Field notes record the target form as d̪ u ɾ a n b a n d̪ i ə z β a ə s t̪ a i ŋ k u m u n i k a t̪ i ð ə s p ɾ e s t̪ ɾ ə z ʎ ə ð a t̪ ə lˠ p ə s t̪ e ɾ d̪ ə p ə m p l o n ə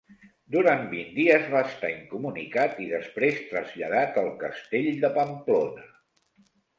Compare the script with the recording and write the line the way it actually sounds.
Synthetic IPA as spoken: d̪ u ɾ a n b i n d̪ i ə z β a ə s t̪ a i ŋ k u m u n i k a t̪ i ð ə s p ɾ e s t̪ ɾ ə z ʎ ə ð a t̪ ə lˠ k ə s t̪ e ʎ d̪ ə p ə m p l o n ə